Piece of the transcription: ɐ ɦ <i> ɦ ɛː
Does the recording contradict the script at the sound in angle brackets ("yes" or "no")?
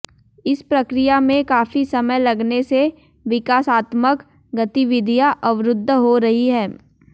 no